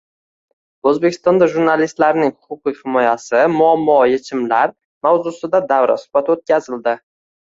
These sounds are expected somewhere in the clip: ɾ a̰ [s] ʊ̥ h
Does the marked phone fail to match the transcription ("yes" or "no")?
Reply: no